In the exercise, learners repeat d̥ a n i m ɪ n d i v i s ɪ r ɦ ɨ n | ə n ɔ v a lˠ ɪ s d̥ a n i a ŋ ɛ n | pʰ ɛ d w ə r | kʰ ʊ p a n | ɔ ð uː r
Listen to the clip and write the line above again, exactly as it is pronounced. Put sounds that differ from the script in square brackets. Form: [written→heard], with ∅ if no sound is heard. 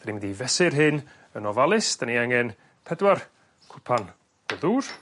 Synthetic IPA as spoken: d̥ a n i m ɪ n d i v [i→ɛ] s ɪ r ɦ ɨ n | ə n ɔ v a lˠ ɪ s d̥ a n i a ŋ ɛ n | pʰ ɛ d w [ə→a] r | kʰ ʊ [p→pʰ] a n | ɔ ð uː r